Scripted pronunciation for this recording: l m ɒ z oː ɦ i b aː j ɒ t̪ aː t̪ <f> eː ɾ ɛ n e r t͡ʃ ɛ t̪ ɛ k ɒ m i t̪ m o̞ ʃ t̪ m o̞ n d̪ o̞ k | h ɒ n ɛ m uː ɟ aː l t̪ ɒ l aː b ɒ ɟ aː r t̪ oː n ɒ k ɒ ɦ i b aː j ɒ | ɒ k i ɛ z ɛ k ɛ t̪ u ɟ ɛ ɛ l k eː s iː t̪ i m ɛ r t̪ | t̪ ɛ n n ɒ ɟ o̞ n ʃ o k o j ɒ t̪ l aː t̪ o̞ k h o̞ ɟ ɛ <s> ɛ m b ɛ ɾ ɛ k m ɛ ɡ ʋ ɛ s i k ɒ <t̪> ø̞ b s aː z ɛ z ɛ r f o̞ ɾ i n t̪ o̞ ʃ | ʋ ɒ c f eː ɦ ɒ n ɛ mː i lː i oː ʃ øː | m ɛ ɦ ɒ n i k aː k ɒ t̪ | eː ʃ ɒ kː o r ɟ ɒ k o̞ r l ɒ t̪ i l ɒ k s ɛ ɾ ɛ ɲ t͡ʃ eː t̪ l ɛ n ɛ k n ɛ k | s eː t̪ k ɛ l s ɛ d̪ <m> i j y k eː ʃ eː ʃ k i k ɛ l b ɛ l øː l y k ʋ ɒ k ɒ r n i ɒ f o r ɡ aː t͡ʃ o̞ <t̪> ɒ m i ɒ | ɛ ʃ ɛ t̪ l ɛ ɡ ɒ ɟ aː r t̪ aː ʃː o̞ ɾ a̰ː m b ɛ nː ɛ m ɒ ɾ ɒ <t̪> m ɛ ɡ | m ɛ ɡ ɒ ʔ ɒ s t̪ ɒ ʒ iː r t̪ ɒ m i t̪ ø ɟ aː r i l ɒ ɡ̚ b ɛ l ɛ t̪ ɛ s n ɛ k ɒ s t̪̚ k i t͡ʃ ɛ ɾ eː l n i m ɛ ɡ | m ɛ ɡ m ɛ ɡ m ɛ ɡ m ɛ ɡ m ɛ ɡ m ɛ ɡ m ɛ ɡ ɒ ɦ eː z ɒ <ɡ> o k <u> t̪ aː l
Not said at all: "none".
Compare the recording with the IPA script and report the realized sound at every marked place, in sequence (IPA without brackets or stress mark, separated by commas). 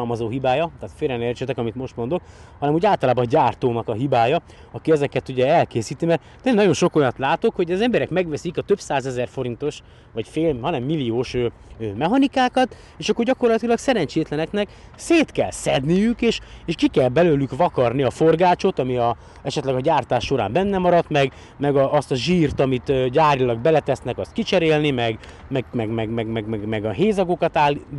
f, z, t̪, n, t̪, t̪, ɡ, ɒ